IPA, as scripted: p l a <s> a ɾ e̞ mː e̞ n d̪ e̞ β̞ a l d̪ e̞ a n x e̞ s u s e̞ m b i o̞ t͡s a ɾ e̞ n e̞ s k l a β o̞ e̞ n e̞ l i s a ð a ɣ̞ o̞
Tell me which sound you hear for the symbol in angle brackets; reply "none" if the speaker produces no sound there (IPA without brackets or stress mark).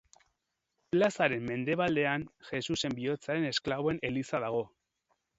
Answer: s